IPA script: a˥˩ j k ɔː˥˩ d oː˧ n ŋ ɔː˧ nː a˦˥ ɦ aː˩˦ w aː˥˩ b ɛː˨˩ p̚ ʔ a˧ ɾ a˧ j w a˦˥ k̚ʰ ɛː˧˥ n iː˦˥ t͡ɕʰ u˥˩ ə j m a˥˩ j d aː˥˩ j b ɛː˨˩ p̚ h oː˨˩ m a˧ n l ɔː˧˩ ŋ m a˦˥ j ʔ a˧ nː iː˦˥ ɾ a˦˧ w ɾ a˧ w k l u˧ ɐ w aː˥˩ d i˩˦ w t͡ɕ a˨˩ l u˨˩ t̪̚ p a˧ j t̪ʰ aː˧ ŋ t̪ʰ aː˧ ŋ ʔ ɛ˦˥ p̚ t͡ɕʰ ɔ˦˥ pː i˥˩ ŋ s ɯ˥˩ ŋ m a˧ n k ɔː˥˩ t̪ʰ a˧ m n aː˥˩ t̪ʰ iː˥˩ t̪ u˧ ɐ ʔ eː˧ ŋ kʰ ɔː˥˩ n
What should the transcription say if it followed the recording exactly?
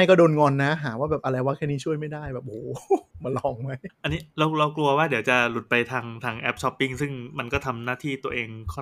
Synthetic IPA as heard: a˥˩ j k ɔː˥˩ d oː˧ n ŋ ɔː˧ nː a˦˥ ɦ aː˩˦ w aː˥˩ b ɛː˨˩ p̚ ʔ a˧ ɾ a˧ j w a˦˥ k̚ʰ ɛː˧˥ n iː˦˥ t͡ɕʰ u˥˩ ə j m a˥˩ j d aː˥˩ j b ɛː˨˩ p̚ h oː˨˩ m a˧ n l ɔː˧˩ ŋ m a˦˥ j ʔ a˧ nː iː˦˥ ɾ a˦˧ w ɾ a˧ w k l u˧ ɐ w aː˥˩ d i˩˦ w t͡ɕ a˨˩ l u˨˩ t̪̚ p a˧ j t̪ʰ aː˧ ŋ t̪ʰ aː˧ ŋ ʔ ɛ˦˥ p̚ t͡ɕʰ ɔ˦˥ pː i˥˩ ŋ s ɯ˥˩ ŋ m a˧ n k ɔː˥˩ t̪ʰ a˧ m n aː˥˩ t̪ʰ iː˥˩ t̪ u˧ ɐ ʔ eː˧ ŋ kʰ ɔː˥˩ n